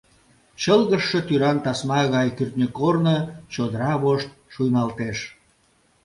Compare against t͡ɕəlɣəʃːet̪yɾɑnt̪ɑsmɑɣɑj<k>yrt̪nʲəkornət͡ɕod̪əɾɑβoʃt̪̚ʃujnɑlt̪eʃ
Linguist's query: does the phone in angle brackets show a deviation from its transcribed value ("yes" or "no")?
no